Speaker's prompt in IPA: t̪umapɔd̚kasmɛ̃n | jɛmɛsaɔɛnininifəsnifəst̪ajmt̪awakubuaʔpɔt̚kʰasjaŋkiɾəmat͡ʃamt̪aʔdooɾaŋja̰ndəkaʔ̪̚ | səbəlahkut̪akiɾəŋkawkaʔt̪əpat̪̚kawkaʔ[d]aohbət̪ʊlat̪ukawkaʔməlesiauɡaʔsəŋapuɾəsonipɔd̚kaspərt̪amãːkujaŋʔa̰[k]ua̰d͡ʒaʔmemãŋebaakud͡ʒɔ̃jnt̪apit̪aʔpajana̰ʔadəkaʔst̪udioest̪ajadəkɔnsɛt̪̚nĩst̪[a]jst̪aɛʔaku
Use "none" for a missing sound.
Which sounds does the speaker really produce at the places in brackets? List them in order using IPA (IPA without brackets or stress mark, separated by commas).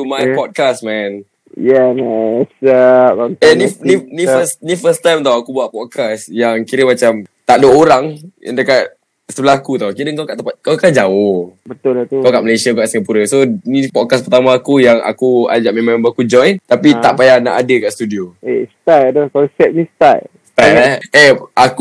d͡ʒ, k, a